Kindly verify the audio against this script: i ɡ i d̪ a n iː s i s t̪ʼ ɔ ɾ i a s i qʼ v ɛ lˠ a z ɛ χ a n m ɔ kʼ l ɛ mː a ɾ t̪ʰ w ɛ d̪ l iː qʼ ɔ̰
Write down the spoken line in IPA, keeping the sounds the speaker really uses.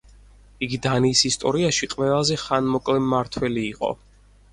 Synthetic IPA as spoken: i ɡ i d̪ a n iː s i s t̪ʼ ɔ ɾ i a ʃ i qʼ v ɛ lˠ a z ɛ χ a n m ɔ kʼ l ɛ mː a ɾ t̪ʰ w ɛ l iː qʼ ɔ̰